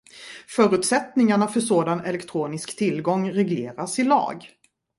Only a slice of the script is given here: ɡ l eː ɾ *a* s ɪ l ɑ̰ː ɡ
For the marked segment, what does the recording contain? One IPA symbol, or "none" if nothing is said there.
a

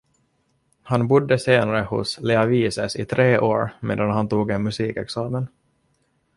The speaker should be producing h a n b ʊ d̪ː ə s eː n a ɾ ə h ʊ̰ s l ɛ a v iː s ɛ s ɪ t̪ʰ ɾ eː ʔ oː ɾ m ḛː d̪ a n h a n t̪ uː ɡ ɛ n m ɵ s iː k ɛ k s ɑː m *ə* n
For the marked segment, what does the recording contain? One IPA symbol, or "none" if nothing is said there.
ə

